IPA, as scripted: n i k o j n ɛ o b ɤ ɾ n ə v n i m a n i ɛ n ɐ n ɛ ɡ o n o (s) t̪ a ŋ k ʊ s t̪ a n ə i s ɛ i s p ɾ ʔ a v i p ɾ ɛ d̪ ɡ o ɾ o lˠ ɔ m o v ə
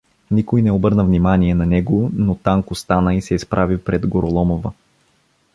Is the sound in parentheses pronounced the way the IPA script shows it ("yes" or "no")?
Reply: no